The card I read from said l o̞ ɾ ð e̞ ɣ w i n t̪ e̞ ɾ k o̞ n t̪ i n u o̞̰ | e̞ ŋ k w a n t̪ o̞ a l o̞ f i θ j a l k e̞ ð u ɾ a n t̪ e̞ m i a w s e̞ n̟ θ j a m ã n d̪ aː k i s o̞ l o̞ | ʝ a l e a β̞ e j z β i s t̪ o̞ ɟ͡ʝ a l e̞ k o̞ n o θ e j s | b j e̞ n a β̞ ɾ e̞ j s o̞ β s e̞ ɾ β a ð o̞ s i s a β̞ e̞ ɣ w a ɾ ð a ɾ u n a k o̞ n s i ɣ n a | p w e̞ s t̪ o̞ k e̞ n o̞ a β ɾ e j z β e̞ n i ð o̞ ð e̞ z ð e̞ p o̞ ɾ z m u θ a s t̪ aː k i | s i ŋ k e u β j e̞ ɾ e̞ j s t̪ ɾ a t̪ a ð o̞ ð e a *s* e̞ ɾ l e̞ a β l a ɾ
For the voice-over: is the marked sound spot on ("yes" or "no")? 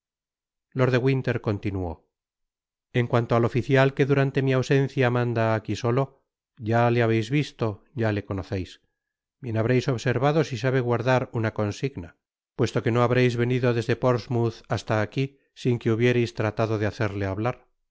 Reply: no